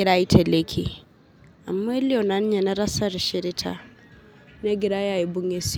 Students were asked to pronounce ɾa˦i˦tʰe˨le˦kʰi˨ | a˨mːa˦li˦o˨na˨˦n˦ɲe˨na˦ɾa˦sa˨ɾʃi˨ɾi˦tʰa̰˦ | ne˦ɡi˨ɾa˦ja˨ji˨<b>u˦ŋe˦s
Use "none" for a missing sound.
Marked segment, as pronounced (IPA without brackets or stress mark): b